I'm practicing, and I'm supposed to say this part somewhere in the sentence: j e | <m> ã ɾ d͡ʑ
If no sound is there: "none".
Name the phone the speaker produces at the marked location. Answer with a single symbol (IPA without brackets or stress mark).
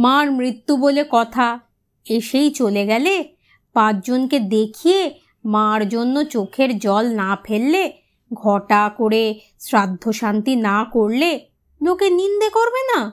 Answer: m